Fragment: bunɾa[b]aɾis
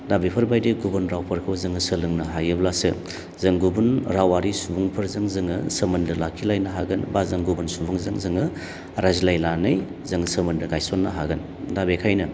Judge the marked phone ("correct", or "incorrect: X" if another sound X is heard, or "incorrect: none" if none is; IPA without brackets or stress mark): incorrect: w